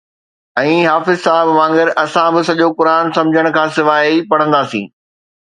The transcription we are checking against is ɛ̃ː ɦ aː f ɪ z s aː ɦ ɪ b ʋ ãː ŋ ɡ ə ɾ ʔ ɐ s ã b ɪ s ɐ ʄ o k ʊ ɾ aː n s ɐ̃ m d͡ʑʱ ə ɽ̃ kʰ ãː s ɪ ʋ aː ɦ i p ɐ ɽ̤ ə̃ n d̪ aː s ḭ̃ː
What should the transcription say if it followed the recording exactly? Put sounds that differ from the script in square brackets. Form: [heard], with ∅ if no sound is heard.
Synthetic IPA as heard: ɛ̃ː ɦ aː f ɪ z s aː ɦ ɪ b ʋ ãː ŋ ɡ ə ɾ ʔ ɐ s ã b ɪ s ɐ ʄ o k ʊ ɾ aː n s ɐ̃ m d͡ʑʱ ə ɽ̃ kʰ ãː s ɪ ʋ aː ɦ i p ɐ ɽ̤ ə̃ n d̪ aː s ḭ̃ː